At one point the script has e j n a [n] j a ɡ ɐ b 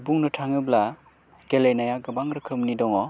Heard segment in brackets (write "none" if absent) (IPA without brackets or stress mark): none